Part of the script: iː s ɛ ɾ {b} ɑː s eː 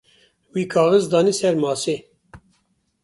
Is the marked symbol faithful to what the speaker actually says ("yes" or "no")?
no